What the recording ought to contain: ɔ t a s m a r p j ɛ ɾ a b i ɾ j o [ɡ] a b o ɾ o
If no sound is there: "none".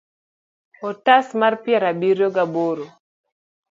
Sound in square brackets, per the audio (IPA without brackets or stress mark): ɡ